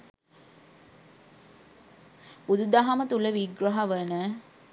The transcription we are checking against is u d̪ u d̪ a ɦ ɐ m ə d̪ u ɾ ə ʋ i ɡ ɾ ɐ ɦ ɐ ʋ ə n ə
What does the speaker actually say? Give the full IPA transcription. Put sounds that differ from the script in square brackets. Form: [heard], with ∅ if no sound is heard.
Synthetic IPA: u d̪ u d̪ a ɦ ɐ m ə [t̪] u [l] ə ʋ i ɡ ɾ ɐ ɦ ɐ ʋ ə n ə